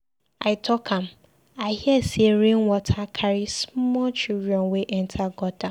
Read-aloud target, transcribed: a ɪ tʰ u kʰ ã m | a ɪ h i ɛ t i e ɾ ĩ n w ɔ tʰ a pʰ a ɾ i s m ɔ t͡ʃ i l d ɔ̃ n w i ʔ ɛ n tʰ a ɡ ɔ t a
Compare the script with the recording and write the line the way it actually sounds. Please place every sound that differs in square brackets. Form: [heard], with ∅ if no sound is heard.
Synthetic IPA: a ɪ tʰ [ɔ] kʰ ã m | a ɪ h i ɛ [s] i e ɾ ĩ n w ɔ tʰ a [kʰ] a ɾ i s m ɔ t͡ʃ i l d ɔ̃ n w [e] ʔ ɛ n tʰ a ɡ ɔ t a